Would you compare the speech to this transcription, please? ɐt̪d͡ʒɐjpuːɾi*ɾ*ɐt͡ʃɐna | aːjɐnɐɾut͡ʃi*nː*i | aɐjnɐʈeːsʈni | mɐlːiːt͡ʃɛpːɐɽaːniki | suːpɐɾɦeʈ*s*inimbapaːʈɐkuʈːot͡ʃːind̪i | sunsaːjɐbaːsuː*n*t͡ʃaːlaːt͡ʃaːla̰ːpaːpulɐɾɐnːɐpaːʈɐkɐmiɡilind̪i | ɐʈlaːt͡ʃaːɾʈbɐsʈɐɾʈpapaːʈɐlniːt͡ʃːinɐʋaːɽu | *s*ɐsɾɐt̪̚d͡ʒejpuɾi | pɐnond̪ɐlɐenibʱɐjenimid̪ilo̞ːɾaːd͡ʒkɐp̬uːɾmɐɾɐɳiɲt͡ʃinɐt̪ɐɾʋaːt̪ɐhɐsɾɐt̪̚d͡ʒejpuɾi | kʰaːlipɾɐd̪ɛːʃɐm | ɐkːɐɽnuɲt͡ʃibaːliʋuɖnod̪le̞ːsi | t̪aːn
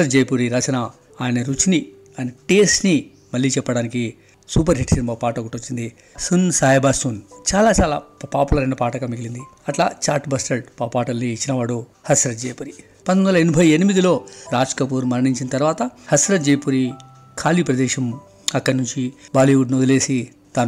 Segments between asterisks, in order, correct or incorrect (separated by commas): correct, incorrect, correct, correct, incorrect